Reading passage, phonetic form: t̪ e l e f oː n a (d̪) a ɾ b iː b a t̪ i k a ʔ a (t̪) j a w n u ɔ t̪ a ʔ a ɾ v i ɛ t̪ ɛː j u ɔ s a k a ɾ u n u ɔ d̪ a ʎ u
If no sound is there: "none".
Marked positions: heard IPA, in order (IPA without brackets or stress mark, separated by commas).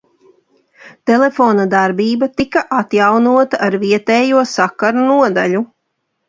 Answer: d̪, t̪